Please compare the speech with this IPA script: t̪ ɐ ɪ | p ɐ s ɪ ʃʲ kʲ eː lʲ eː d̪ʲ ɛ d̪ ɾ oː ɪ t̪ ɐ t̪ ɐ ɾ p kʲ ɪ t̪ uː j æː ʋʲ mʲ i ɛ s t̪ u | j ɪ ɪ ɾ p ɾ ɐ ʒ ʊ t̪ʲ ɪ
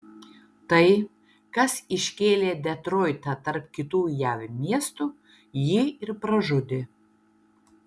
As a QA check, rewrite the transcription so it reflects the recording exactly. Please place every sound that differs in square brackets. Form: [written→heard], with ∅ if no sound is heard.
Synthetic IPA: t̪ ɐ ɪ | [p→k] ɐ s ɪ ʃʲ kʲ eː lʲ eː d̪ʲ ɛ [d̪→t̪] ɾ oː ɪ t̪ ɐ t̪ ɐ ɾ p kʲ ɪ t̪ uː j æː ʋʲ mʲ i ɛ s t̪ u | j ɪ ɪ ɾ p ɾ ɐ ʒ ʊ [t̪ʲ→d̪ʲ] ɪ